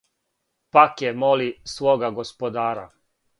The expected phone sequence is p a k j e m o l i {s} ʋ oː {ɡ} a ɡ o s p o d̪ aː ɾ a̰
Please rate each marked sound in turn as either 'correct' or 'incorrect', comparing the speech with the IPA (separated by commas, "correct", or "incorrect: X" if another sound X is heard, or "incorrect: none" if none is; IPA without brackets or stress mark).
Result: correct, correct